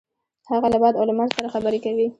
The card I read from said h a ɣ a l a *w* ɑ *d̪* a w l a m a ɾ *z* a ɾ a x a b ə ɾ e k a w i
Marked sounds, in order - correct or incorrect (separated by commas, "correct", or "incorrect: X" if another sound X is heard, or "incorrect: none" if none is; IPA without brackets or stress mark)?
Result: incorrect: b, correct, incorrect: s